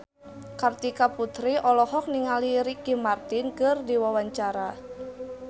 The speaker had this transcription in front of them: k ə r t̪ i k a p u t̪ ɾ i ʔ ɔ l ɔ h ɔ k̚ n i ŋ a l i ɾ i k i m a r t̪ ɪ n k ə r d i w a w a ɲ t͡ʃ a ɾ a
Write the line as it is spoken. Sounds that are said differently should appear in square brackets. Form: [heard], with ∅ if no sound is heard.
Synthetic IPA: k [a] r t̪ i k a p u t̪ ɾ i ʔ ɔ l ɔ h ɔ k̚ n i ŋ a l i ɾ i k i m a r t̪ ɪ n k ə r d i w a w a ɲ t͡ʃ a ɾ a